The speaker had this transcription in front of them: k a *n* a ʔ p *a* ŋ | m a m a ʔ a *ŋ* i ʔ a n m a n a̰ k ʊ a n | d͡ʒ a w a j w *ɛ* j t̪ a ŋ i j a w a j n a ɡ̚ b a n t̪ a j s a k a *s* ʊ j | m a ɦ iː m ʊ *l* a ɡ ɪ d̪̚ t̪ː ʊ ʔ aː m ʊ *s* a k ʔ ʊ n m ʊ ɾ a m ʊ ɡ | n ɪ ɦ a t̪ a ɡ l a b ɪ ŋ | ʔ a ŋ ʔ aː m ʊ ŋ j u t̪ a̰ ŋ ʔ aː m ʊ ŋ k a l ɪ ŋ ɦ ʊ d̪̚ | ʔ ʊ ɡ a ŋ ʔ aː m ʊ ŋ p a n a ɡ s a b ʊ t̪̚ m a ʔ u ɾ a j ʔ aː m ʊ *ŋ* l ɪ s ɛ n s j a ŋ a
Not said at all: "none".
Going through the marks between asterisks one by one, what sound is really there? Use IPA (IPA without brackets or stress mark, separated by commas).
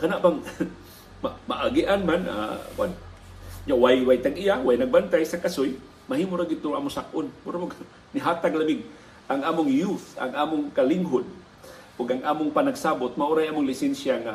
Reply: n, a, ɡ, a, s, ɾ, s, ŋ